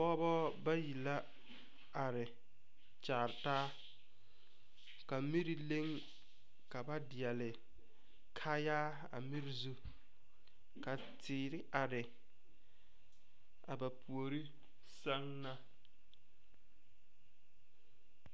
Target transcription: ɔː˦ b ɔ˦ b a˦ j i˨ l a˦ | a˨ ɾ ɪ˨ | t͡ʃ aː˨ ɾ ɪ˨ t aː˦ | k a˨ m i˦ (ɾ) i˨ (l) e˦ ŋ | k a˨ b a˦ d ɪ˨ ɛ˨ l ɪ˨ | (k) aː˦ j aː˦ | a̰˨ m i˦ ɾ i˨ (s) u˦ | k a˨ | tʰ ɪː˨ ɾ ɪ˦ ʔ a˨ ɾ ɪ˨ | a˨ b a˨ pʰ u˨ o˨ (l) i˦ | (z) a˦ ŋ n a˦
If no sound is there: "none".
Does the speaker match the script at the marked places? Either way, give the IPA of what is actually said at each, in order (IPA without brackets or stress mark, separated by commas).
ɾ, l, kʰ, z, ɾ, s